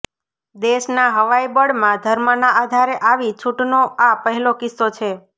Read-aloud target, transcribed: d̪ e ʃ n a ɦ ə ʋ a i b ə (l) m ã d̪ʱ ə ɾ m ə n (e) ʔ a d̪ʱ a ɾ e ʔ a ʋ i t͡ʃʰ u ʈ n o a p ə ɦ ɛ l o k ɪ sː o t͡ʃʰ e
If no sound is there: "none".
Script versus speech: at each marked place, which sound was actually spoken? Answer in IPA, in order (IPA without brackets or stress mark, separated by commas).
ɽ, a